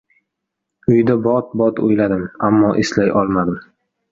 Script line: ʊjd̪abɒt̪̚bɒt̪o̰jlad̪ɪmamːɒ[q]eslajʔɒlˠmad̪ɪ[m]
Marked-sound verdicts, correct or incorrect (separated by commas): incorrect, correct